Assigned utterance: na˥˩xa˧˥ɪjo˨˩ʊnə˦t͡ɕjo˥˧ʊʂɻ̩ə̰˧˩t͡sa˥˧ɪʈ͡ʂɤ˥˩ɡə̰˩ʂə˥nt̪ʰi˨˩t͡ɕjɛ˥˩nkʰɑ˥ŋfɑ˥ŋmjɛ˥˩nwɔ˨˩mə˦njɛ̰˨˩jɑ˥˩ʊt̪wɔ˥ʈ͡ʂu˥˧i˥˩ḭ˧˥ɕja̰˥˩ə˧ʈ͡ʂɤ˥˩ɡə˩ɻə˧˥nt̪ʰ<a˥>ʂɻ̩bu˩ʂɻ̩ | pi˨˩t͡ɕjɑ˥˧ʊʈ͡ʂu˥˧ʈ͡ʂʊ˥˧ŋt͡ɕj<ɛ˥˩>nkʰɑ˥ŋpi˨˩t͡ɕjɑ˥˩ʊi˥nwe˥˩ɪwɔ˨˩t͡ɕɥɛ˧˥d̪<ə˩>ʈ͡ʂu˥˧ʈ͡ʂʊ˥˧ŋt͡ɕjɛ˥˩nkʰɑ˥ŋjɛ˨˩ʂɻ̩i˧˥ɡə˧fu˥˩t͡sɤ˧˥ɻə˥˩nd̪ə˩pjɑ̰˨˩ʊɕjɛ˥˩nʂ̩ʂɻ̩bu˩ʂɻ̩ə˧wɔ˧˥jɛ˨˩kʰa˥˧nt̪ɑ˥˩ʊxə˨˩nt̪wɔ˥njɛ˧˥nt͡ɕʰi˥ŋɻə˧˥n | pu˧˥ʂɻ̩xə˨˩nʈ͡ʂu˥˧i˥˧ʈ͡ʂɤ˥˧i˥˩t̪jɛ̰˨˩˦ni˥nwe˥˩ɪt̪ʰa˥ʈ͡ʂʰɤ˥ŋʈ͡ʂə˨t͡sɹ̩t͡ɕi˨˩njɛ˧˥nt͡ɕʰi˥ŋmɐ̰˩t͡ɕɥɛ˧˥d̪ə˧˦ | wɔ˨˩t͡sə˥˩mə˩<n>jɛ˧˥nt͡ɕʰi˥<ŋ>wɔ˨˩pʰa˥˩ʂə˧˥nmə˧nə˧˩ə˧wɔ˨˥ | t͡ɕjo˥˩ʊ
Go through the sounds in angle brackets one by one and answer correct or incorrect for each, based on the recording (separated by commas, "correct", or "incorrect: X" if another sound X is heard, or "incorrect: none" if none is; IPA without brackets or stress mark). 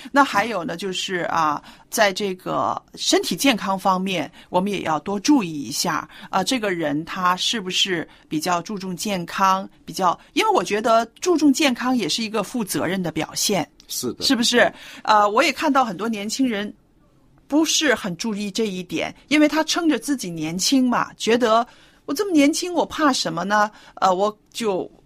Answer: correct, correct, incorrect: ə˧, correct, correct